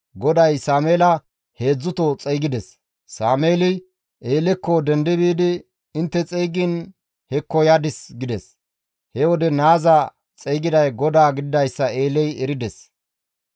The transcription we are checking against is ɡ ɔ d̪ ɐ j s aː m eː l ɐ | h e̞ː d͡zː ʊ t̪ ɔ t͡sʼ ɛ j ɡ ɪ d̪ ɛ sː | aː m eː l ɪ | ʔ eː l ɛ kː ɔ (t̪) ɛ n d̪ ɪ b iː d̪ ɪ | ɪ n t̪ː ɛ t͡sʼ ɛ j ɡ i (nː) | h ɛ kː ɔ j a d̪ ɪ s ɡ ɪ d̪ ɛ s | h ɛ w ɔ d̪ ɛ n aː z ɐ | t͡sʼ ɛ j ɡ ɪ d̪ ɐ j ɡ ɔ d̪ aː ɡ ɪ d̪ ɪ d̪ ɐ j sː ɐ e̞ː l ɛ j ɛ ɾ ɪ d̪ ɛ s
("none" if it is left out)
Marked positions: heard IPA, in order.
d̪, n

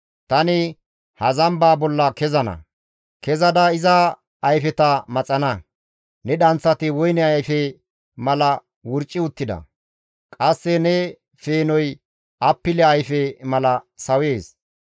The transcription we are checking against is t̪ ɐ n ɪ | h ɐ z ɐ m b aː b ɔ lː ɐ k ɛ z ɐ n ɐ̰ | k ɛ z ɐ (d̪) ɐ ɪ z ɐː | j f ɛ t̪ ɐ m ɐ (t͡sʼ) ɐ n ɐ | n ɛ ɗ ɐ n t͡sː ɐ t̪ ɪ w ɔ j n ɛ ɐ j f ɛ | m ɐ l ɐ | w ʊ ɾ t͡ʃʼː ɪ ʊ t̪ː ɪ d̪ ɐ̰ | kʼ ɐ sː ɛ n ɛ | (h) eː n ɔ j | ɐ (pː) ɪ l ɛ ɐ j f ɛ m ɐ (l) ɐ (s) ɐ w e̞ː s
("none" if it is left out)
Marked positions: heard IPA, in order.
d̪, t͡sʼ, f, pː, l, s

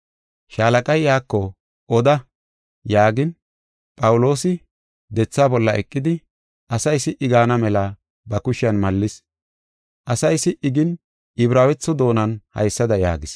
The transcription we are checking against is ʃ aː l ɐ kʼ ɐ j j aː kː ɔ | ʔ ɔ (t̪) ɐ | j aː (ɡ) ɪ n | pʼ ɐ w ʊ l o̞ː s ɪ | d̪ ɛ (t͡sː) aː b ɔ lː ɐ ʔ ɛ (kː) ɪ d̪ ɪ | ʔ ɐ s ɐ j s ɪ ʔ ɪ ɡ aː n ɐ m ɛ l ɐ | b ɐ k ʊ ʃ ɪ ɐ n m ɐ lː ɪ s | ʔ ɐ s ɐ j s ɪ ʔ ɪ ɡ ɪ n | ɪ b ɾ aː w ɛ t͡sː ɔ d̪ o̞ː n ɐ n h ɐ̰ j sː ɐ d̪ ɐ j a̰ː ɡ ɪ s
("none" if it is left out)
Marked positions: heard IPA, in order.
d̪, ɡ, t͡sː, kʼː

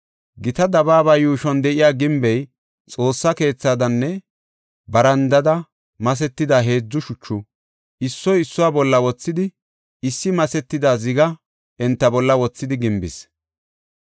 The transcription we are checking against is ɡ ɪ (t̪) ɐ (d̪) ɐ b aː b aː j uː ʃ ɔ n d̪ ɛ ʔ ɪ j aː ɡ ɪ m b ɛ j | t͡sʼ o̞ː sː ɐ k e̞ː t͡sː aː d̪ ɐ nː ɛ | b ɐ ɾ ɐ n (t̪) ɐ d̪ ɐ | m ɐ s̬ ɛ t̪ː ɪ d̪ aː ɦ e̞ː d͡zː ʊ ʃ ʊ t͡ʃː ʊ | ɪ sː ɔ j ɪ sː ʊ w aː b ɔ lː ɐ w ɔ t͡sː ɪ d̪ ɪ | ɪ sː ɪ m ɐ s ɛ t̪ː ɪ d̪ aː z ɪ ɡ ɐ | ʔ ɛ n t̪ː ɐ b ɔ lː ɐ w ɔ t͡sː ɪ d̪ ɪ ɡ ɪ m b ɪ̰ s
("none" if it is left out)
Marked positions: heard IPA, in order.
t̪, d̪, d̪

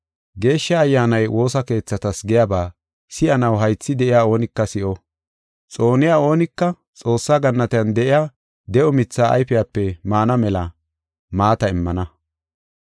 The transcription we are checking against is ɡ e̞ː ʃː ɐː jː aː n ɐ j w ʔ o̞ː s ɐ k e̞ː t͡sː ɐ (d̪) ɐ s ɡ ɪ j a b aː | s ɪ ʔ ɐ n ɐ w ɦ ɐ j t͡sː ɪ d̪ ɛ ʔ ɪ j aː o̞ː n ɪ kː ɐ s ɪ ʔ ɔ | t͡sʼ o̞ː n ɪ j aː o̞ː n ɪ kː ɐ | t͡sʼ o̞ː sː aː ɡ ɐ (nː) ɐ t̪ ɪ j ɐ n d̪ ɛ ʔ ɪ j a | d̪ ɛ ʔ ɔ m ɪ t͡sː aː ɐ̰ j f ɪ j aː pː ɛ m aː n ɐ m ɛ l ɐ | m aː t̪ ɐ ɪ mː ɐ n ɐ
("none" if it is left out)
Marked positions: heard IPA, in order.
t̪, nː

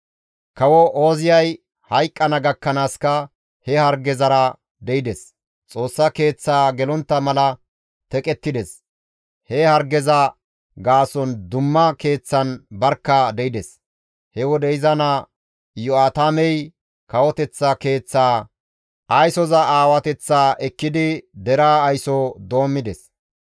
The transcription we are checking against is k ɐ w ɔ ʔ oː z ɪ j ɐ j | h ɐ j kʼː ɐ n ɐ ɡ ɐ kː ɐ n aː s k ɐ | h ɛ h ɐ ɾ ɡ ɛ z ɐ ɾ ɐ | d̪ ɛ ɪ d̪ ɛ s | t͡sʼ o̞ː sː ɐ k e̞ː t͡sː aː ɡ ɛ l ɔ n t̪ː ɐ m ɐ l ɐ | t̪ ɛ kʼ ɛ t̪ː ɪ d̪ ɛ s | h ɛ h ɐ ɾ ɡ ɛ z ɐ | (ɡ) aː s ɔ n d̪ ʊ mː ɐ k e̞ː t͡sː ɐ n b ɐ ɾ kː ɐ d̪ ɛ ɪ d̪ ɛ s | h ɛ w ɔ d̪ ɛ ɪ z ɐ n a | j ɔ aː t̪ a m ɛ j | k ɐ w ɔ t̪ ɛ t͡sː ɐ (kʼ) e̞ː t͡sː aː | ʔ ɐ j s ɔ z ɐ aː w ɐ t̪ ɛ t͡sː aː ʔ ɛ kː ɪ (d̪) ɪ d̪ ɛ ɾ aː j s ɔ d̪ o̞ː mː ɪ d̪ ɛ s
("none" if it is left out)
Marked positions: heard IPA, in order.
ɡ, k, d̪

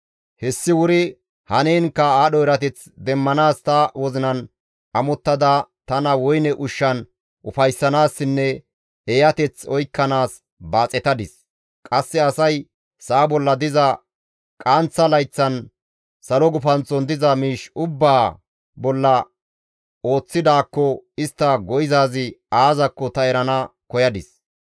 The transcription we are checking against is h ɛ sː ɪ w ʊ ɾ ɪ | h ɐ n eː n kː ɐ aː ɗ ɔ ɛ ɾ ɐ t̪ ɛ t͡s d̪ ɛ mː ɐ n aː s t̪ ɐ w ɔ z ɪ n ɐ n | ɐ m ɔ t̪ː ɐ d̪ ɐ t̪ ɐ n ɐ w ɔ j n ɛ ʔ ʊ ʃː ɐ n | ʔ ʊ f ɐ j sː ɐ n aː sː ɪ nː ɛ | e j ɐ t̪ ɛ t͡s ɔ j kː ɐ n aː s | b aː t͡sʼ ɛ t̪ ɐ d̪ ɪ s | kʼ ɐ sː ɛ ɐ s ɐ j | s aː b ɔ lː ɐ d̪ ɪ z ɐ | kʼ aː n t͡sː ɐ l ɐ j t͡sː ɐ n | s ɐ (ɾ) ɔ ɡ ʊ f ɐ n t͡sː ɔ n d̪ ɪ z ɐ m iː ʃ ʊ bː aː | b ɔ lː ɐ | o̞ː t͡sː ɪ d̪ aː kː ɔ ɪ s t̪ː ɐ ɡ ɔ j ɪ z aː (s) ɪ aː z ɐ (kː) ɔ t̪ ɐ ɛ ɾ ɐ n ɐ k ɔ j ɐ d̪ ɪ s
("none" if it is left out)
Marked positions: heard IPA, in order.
l, z, kː

